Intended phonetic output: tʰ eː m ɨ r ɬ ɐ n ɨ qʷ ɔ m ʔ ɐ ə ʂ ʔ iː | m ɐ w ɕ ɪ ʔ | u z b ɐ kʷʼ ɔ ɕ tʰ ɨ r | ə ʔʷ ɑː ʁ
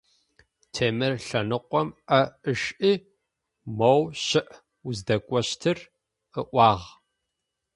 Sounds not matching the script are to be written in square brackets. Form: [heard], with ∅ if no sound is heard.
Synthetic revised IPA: tʰ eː m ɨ r ɬ ɐ n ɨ qʷ ɔ m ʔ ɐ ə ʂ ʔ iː | m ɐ w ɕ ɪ ʔ | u z [d] ɐ kʷʼ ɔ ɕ tʰ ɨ r | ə ʔʷ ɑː ʁ